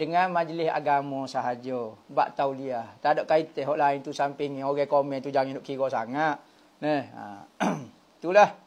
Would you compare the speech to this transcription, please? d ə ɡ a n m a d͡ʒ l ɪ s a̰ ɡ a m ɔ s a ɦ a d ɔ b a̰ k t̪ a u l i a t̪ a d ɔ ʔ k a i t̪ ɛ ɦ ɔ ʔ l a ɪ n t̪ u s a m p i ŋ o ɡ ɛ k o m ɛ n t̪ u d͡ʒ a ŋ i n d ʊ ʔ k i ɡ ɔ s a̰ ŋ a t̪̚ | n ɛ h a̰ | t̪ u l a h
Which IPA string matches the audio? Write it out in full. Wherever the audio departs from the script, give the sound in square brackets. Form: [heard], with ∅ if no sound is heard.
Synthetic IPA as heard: d ə [ŋ] a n m a d͡ʒ l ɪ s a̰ ɡ a m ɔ s a ɦ a [d͡ʒ] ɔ b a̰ [ʔ] t̪ a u l i a t̪ a d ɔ ʔ k a i t̪ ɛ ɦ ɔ ʔ l a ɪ n t̪ u s a m p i ŋ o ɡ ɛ k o m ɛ n t̪ u d͡ʒ a ŋ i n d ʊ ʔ k i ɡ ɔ s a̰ ŋ a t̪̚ | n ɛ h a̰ | t̪ u l a h